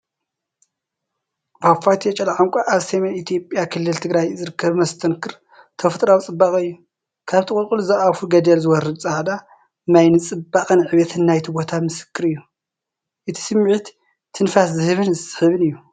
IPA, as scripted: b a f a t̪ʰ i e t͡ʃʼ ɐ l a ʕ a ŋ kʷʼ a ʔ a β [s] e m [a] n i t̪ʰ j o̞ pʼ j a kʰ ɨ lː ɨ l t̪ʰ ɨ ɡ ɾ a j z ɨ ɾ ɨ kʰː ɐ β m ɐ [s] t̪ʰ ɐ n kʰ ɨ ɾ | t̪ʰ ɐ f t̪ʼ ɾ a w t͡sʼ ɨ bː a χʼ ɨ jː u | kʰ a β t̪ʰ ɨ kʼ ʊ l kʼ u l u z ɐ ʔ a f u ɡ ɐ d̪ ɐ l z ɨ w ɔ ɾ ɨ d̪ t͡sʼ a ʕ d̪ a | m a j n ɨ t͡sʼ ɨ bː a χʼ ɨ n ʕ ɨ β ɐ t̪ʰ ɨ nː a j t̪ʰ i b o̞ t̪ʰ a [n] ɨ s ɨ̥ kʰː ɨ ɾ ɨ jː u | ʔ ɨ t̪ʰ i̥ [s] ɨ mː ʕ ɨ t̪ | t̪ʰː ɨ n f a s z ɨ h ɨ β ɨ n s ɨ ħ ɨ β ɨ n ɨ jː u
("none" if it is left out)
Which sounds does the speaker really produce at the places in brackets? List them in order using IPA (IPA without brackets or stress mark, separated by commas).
s, e, s, m, s